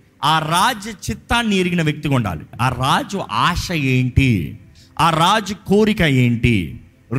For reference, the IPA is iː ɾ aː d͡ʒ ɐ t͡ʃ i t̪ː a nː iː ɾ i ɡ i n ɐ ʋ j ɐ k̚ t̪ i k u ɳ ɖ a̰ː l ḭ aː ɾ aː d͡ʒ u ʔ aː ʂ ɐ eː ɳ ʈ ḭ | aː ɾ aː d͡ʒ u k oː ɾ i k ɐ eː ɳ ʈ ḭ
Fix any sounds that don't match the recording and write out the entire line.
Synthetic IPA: aː ɾ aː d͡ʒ ɐ t͡ʃ i t̪ː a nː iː ɾ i ɡ i n ɐ ʋ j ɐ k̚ t̪ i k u ɳ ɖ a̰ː l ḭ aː ɾ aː d͡ʒ u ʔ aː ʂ ɐ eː ɳ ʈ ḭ | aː ɾ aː d͡ʒ u k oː ɾ i k ɐ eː ɳ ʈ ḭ